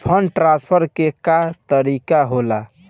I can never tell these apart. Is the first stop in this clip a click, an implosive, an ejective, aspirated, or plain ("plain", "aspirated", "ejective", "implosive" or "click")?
aspirated